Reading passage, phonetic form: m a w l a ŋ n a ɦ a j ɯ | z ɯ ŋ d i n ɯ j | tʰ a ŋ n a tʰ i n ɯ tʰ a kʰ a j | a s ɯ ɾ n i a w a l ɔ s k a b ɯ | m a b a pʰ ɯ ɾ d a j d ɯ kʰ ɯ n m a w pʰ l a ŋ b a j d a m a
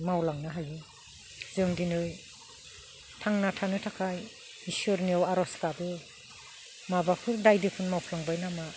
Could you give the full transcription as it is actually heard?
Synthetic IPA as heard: m a w l a ŋ n a ɦ a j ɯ | z ɯ ŋ d i n ɯ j | tʰ a ŋ n a tʰ a n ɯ tʰ a kʰ a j | i s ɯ ɾ n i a w a ɾ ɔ s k a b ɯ | m a b a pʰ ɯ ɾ d a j d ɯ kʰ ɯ n m a w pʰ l a ŋ b a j n a m a